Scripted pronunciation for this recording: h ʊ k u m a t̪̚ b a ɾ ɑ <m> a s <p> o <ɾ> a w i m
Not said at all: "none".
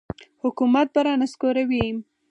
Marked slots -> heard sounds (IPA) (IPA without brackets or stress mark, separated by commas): n, k, ɾ